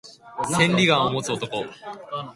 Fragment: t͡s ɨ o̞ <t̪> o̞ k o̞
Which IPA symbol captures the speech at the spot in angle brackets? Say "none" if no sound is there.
t̪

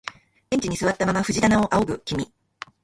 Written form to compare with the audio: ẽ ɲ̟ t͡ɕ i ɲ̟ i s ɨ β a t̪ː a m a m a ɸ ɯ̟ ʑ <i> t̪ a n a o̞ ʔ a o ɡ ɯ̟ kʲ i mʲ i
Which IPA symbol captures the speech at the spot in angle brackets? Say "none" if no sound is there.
i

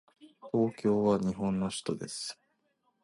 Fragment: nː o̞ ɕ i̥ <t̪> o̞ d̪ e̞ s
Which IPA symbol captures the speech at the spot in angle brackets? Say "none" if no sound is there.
t̪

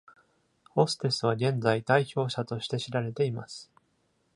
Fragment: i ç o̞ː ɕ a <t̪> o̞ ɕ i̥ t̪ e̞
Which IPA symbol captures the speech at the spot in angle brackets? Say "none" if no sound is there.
t̪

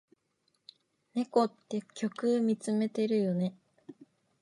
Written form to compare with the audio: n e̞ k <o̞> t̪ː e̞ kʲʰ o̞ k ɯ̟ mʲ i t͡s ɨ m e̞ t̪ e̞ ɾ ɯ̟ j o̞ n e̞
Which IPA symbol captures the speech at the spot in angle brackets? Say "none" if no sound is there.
o̞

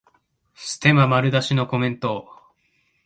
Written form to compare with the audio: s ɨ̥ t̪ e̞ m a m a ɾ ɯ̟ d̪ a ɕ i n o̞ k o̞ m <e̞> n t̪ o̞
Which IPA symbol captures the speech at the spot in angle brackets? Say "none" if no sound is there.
ẽ̞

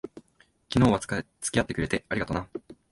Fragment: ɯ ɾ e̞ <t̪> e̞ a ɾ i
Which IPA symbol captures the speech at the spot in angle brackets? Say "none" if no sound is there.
t̪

